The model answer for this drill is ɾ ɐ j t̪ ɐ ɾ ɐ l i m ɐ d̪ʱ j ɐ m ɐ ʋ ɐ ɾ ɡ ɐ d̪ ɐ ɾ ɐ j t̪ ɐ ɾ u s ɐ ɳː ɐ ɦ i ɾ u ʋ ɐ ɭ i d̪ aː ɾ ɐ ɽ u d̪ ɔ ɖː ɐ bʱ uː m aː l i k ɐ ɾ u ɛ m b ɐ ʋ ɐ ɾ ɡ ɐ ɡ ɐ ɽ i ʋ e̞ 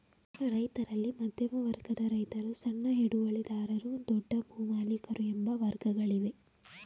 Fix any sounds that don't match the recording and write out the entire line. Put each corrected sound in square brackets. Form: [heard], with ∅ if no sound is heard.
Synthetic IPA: ɾ ɐ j t̪ ɐ ɾ ɐ [lː] i m ɐ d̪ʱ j ɐ m ɐ ʋ ɐ ɾ ɡ ɐ d̪ ɐ ɾ ɐ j t̪ ɐ ɾ u s ɐ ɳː ɐ ɦ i [ɽ] u ʋ ɐ ɭ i d̪ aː ɾ ɐ [ɾ] u d̪ ɔ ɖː ɐ bʱ uː m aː l i k ɐ ɾ u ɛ m b ɐ ʋ ɐ ɾ ɡ ɐ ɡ ɐ [ɭ] i ʋ e̞